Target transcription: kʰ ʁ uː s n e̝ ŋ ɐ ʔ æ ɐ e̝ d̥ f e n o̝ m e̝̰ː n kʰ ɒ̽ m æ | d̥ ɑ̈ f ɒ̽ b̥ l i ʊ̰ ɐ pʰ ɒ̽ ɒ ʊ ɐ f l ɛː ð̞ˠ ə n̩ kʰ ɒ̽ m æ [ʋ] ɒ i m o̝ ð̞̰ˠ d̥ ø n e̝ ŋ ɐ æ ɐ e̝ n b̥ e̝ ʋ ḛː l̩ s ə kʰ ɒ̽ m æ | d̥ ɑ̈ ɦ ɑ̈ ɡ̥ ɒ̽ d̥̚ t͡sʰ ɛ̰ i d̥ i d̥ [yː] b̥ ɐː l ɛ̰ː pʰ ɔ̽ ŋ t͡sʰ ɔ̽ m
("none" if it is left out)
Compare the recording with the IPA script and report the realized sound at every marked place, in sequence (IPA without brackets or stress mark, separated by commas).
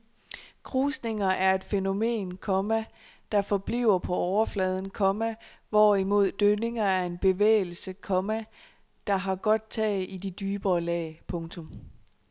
ʋ, yː